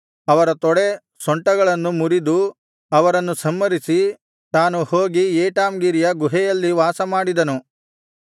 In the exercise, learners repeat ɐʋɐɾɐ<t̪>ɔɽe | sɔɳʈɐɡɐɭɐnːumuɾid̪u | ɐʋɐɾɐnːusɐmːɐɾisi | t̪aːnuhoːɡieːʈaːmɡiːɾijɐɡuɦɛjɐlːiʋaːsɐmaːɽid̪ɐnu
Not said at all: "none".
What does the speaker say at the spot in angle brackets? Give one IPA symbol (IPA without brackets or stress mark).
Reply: t̪